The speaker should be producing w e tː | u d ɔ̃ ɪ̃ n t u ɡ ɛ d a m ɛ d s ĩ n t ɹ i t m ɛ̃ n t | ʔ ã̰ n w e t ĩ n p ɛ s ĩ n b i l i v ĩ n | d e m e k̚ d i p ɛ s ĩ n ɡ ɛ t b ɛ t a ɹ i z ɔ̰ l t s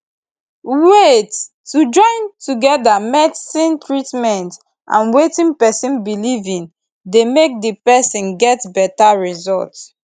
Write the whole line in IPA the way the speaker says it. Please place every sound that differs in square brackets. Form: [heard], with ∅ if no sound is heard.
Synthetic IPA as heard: w e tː | u [d͡ʒ] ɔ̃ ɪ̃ n t u ɡ ɛ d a m ɛ d s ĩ n t ɹ i t m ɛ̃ n t | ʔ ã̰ n w e t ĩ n p ɛ s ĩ n b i l i v ĩ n | d e m e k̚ d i p ɛ s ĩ n ɡ ɛ t b ɛ t a ɹ i z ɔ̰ l t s